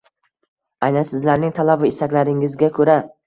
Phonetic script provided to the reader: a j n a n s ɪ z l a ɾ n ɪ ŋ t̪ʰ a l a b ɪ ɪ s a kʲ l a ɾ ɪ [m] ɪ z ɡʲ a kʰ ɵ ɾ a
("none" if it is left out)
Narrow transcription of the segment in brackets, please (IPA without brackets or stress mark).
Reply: ŋ